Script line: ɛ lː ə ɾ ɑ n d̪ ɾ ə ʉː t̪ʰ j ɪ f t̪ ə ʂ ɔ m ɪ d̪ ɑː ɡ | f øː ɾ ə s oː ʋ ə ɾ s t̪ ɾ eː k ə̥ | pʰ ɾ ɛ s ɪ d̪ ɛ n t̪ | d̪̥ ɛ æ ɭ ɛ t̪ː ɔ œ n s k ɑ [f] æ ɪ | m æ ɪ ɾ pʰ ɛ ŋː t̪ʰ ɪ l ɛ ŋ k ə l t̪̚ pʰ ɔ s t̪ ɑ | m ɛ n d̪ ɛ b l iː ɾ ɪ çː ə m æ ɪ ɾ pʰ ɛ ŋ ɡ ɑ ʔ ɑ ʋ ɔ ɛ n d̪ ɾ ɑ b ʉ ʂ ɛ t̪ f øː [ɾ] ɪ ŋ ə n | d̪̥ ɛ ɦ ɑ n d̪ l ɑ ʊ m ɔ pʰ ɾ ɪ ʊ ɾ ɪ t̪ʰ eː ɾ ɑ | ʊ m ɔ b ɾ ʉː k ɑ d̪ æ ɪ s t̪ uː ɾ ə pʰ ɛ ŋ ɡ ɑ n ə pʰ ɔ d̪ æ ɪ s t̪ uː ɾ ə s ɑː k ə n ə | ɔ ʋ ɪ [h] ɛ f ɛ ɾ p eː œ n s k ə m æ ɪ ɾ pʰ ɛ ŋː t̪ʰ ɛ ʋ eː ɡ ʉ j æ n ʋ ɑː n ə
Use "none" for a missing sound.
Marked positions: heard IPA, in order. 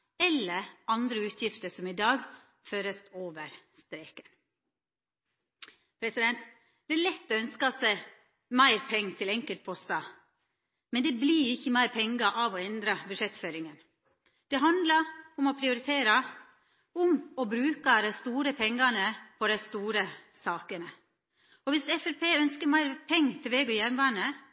s, ɾ, s

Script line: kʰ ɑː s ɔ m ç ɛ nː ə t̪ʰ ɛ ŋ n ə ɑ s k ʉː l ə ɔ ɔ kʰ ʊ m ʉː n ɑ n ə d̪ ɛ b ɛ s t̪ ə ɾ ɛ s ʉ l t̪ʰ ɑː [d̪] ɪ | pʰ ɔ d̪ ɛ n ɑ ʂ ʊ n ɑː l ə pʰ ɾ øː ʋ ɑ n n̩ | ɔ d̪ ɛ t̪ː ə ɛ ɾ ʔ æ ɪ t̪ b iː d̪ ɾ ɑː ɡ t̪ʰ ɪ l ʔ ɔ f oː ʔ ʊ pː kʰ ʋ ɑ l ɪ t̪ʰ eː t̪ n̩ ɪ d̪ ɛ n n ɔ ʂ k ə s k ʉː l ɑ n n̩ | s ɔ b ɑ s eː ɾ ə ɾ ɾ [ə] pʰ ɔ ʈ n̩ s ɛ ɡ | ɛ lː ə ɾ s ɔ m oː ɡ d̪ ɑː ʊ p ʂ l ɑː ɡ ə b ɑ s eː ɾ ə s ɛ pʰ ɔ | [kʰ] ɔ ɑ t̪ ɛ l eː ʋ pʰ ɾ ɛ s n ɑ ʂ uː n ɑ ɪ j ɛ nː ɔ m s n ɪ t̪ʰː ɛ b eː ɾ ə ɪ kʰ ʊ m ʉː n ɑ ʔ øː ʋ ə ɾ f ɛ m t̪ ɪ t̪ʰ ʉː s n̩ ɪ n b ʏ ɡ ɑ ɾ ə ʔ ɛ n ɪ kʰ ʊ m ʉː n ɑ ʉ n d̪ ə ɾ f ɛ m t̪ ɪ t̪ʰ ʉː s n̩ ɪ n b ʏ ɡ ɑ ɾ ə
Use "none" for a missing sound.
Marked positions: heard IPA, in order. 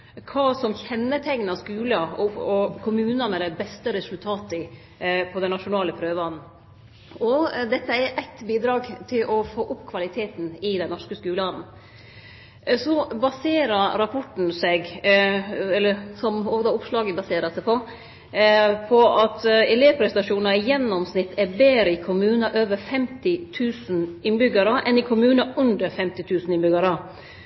t̪, ɑ, pʰ

